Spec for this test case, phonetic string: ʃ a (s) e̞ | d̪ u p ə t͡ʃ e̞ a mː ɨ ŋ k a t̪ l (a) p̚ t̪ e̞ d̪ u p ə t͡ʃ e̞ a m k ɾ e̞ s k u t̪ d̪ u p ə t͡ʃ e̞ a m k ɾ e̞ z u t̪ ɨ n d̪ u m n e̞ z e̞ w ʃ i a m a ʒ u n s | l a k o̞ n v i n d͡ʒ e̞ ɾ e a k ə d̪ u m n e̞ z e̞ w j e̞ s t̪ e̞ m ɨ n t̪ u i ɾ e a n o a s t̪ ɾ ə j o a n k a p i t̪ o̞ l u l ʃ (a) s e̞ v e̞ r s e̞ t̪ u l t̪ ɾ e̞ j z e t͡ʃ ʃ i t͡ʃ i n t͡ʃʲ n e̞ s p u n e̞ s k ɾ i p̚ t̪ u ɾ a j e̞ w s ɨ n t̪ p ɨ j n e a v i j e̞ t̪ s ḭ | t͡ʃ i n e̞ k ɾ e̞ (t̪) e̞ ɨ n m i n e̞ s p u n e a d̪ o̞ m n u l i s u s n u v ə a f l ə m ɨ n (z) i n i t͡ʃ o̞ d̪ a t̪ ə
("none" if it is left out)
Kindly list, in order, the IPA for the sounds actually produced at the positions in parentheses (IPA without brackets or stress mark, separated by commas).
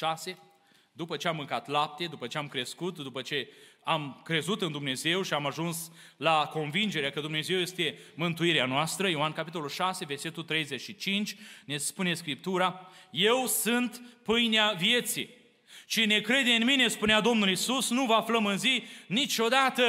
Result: s, a, a, d̪, z